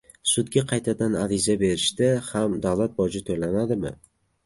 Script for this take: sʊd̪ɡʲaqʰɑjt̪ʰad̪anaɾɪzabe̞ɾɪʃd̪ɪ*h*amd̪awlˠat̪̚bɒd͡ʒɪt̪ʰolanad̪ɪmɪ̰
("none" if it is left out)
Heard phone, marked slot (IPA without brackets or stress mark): h